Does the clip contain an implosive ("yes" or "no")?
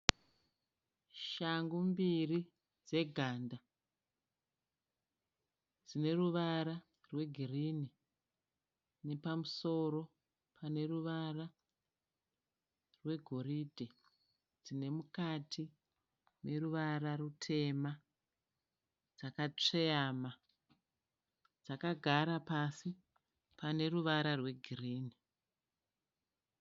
no